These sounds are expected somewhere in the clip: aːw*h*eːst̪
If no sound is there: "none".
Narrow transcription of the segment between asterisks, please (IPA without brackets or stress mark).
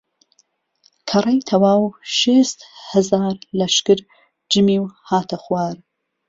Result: ʃ